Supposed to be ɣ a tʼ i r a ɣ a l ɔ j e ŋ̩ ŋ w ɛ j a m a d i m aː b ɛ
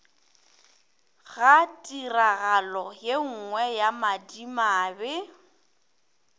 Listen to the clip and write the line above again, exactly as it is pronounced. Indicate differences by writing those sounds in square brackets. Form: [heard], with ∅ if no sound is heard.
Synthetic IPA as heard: ɣ a tʼ i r a ɣ a l ɔ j e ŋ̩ ŋ w ɛ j a m a d i m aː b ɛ